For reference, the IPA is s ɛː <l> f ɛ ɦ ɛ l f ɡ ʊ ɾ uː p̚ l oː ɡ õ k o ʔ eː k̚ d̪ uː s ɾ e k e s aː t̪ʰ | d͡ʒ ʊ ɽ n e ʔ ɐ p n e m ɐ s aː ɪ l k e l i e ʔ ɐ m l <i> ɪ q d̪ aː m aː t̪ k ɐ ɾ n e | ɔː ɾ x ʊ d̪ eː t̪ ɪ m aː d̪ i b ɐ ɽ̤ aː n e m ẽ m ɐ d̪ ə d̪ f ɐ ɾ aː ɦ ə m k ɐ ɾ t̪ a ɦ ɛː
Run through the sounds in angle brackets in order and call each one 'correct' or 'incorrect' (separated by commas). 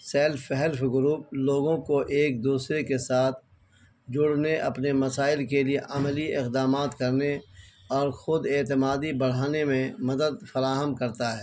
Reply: correct, correct